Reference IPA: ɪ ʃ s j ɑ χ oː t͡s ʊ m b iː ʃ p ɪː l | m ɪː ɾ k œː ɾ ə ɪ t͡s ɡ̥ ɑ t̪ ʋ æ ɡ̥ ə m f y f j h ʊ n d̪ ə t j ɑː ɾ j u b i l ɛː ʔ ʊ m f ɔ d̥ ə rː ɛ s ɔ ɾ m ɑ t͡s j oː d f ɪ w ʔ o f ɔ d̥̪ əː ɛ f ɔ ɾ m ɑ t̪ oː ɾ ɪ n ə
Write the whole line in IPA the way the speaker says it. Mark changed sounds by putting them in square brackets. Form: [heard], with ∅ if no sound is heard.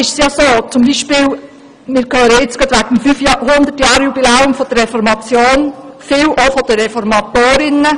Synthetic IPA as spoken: ɪ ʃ s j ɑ [s] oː t͡s ʊ m b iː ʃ p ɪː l | m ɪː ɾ k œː ɾ ə ɪ t͡s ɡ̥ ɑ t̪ ʋ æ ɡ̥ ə m f y f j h ʊ n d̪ ə t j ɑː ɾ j u b i l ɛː [∅] ʊ m f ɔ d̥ ə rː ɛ [f] ɔ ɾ m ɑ t͡s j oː [n] f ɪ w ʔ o f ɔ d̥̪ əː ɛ f ɔ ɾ m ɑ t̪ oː ɾ ɪ n ə